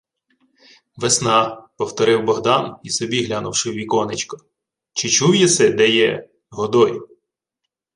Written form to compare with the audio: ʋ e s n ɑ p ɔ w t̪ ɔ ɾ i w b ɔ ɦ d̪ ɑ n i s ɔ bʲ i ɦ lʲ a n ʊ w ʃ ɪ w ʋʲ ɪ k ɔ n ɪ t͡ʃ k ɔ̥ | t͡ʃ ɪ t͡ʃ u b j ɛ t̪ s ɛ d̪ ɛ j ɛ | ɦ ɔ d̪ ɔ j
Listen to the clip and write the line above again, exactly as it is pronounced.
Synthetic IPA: ʋ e s n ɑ p ɔ w t̪ ɔ ɾ ɪ w b ɔ ɦ d̪ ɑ n i s ɔ bʲ i ɦ lʲ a n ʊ w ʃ ɪ w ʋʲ i k ɔ n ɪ t͡ʃ k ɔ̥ | t͡ʃ ɪ t͡ʃ u w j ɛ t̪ s ɛ d̪ ɛ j ɛ | ɦ ɔ d̪ ɔ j